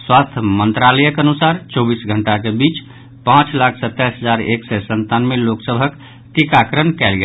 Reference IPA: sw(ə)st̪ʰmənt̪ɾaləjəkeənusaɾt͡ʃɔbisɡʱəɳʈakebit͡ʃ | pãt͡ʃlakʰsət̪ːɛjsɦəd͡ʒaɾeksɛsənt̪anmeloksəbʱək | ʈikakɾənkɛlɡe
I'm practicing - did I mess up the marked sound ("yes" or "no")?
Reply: yes